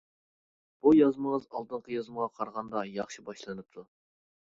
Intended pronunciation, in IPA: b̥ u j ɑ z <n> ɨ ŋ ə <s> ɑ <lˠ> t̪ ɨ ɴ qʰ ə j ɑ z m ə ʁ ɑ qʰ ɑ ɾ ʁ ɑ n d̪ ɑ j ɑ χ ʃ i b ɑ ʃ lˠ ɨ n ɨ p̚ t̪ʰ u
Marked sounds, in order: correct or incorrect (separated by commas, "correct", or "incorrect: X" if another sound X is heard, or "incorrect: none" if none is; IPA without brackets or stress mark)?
incorrect: m, incorrect: z, correct